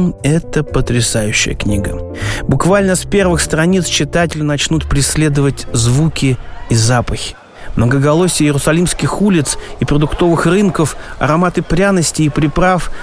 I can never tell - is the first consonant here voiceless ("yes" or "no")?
yes